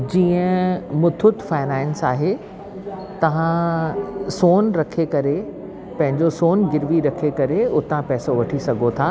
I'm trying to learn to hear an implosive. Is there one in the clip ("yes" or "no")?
no